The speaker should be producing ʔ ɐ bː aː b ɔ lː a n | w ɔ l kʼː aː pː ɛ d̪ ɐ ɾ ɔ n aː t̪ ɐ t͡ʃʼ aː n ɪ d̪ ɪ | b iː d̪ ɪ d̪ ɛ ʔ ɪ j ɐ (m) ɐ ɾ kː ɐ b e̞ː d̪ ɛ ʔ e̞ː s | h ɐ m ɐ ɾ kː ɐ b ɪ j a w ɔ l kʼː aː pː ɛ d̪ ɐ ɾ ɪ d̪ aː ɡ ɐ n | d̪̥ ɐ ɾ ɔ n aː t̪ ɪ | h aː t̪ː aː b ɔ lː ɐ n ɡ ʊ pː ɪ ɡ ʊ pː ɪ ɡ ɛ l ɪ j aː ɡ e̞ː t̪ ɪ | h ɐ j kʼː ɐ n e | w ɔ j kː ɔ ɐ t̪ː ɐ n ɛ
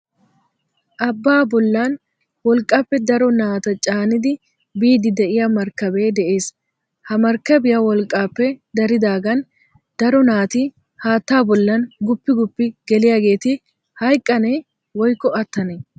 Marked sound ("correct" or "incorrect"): correct